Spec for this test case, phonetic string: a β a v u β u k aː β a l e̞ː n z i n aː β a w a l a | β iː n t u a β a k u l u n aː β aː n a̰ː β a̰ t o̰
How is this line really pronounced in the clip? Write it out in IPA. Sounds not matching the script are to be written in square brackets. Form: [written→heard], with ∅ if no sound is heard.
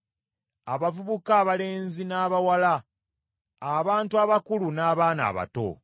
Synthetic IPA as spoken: a β a v u β u k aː β a l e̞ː n z i n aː β a w a l a | β [iː→aː] n t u a β a k u l u n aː β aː n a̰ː β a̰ t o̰